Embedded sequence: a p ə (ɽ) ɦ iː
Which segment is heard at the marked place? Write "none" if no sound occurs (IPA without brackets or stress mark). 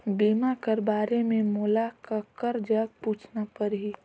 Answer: ɾ